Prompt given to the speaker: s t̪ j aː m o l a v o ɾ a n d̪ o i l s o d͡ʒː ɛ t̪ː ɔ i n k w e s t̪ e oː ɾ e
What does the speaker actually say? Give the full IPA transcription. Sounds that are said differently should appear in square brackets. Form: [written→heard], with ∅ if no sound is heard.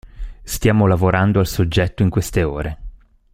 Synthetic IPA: s t̪ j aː m o l a v o ɾ a n d̪ o [i→a] l s o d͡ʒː ɛ t̪ː [ɔ→o] i [n→ŋ] k w e s t̪ e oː ɾ e